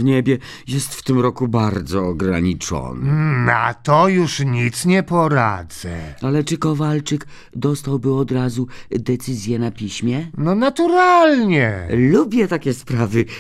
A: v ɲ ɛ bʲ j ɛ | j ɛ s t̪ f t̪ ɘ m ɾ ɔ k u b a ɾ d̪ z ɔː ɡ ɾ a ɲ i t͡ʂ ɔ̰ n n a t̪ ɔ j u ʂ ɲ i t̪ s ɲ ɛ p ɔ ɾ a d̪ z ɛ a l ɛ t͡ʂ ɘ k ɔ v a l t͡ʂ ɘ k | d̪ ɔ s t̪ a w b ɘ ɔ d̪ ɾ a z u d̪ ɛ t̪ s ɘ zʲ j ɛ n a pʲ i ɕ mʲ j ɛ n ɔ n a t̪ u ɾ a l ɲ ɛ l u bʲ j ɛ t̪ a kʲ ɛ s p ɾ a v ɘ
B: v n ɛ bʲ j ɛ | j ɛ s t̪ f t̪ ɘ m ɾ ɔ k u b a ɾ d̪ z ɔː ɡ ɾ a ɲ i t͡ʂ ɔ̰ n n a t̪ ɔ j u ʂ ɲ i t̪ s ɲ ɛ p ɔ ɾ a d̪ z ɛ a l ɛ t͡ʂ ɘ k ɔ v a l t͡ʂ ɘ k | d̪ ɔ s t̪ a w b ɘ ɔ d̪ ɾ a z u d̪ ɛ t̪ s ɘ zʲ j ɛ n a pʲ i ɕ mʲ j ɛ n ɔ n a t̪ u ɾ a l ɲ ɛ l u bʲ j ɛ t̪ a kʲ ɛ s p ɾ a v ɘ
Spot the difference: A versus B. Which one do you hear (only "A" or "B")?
A